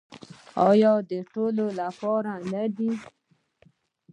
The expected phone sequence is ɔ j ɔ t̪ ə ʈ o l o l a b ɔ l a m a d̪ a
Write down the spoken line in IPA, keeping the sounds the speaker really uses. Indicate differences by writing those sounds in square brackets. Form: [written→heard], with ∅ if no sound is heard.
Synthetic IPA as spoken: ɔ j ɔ [t̪→d̪] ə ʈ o l o l a [b→p] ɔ [l→ɾ] a [m→n] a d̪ [a→i]